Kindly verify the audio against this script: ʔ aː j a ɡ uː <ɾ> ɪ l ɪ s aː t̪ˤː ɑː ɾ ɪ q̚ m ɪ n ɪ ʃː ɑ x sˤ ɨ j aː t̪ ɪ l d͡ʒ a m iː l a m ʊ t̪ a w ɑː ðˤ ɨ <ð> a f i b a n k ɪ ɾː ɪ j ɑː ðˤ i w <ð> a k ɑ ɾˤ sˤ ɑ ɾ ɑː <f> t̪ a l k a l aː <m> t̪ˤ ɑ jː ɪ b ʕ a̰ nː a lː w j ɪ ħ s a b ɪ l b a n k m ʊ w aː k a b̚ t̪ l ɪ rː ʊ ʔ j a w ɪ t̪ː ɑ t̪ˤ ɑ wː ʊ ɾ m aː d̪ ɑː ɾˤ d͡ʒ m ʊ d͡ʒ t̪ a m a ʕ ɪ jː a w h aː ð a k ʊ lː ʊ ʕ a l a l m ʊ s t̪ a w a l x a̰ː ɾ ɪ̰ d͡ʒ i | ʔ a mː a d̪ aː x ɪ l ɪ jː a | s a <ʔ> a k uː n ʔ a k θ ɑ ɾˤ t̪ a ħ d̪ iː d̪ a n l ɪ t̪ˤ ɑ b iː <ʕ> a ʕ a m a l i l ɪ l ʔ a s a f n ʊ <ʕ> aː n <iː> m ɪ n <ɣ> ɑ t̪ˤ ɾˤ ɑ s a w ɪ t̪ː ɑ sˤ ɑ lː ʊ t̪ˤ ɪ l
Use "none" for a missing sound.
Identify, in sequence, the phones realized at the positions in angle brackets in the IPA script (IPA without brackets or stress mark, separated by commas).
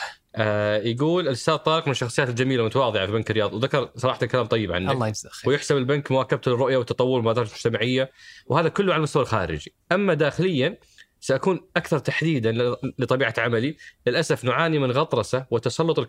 l, ʕ, ð, ħ, m, ʔ, ʕ, ʕ, i, ɣ